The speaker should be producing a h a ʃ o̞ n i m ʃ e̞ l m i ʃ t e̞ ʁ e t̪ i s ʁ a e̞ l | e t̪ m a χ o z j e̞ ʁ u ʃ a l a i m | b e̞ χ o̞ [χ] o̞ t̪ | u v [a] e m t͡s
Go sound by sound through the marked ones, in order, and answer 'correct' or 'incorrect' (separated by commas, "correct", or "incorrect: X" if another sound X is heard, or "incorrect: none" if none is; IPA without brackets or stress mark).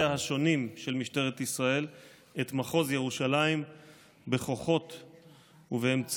correct, incorrect: e